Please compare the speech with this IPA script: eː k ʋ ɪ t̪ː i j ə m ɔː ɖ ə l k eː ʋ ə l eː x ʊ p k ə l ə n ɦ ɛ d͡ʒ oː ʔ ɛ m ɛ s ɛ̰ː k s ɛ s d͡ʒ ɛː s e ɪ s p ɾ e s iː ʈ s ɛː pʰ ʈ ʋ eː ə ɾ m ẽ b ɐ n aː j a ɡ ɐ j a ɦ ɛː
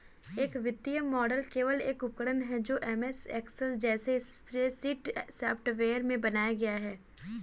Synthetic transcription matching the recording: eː k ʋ ɪ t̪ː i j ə m ɔː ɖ ə l k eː ʋ ə l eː k ʊ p k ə ɽ ə n ɦ ɛ d͡ʒ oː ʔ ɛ m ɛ s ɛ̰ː k s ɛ s d͡ʒ ɛː s e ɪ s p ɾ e s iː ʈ s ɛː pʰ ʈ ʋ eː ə ɾ m ẽ b ɐ n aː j a ɡ ɐ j a ɦ ɛː